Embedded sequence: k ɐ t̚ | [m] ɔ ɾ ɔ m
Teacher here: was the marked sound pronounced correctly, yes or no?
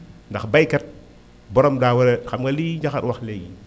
no